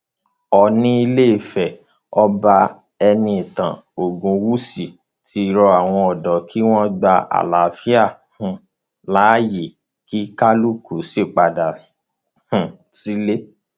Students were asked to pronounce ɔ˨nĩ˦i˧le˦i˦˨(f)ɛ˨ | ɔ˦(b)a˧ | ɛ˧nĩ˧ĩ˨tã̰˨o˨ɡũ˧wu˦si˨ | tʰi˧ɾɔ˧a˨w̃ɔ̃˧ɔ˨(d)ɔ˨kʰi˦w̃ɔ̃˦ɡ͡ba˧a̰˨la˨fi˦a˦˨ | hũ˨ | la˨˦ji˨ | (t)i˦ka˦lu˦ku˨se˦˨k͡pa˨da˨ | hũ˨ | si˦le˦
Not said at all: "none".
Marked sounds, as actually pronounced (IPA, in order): f, b, d, k

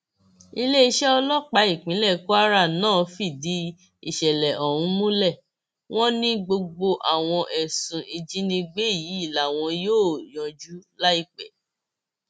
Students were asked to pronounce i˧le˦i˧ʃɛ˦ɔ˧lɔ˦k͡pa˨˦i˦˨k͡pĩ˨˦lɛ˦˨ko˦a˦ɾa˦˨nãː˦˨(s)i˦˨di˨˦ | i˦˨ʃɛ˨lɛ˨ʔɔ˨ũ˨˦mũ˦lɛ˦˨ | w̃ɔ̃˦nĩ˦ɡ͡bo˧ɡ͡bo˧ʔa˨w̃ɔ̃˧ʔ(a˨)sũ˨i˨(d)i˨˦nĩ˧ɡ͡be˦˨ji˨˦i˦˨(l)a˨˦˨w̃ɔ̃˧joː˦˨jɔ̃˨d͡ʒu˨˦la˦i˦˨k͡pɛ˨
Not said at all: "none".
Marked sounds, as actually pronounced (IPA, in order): f, ɛ˨, d͡ʒ, l

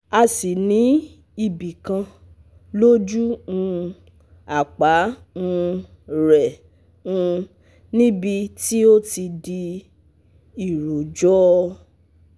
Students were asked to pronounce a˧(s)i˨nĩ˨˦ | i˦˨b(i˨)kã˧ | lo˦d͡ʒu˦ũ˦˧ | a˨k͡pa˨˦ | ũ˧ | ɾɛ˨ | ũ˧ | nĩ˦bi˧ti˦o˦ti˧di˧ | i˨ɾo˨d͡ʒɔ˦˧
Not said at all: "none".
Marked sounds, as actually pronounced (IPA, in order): s, i˨

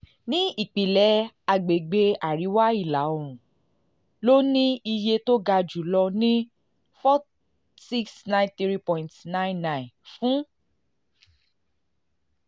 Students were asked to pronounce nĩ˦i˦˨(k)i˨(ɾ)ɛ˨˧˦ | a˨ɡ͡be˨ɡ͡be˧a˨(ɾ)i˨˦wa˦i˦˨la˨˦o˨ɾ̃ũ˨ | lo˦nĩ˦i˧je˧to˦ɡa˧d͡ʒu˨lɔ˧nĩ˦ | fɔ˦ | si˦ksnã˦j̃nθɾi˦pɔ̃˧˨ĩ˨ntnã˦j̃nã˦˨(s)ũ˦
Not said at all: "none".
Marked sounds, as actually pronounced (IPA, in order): k͡p, l, ɾ, f

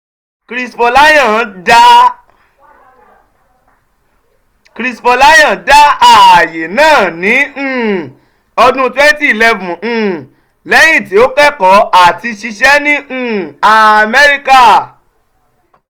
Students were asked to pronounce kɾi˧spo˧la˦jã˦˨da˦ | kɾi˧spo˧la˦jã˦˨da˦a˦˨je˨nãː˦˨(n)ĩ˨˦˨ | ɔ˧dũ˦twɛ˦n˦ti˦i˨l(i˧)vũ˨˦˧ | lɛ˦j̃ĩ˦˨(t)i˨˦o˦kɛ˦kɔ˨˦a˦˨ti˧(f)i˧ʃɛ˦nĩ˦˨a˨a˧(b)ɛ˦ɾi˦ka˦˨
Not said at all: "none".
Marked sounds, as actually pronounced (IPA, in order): n, ɛ˧, t, ʃ, m

